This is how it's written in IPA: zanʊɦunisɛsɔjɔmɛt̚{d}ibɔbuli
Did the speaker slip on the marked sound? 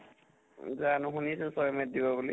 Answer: no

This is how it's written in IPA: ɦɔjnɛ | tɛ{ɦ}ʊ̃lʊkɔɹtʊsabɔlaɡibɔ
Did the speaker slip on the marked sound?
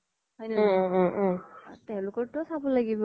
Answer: yes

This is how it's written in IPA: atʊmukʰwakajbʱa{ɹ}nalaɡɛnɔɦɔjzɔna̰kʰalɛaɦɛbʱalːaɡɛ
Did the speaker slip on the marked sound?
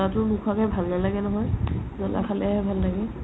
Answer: yes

